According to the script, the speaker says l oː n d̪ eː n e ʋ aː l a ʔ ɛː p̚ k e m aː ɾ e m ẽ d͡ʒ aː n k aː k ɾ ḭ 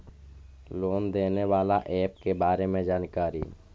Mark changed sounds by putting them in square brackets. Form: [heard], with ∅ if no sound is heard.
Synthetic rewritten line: l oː n d̪ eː n e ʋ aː l a ʔ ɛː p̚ k e [b] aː ɾ e m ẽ d͡ʒ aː n k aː [∅] ɾ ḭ